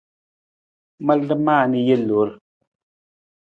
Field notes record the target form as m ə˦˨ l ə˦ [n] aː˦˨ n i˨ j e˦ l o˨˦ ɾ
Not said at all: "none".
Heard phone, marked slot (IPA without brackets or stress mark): m